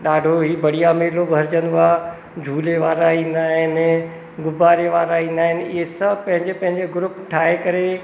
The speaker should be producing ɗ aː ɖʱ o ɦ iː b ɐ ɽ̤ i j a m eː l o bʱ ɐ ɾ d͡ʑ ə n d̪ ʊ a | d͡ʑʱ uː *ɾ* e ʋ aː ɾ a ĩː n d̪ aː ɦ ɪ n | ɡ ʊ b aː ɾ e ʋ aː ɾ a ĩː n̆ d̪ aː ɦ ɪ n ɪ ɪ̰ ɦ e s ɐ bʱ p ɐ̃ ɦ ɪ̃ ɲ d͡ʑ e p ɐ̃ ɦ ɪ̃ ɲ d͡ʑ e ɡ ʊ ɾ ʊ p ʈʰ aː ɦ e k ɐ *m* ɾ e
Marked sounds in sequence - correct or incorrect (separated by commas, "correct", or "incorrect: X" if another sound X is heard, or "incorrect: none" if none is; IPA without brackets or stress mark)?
incorrect: l, incorrect: none